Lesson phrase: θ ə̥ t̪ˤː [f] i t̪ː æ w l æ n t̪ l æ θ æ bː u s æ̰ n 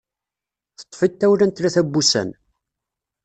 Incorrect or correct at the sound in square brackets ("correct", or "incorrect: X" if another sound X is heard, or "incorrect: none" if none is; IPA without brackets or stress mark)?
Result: correct